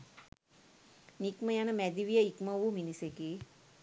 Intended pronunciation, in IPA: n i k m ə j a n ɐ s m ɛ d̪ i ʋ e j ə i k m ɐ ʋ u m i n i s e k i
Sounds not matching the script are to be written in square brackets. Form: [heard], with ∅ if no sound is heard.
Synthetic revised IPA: n i k m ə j a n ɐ [∅] m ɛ d̪ i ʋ [i] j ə i k m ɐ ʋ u m i n i s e k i